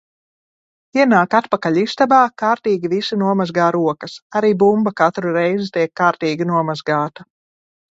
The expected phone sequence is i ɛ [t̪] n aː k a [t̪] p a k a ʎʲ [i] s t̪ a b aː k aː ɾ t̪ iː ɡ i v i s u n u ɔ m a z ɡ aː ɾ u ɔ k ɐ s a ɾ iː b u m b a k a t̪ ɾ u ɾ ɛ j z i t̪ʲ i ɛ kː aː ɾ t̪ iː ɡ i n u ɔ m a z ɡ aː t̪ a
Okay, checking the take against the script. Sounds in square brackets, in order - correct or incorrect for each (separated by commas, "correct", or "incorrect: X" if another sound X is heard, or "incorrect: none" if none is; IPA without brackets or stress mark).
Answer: incorrect: none, correct, correct